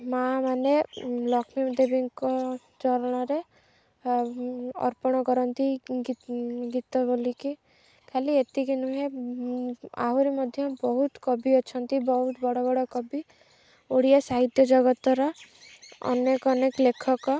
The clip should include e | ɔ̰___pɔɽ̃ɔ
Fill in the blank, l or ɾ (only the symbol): ɾ